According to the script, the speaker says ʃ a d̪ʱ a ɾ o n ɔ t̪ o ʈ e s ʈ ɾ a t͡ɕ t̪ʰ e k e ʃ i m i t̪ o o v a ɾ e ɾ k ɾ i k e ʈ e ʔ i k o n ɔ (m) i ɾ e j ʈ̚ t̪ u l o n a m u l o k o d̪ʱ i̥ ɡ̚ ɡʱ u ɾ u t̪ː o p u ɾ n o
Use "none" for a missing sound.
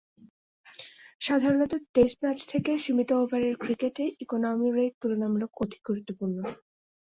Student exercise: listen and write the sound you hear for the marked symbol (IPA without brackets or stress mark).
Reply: m